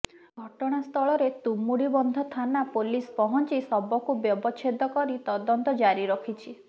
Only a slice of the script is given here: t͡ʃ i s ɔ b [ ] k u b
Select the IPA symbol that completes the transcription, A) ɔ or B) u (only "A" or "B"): A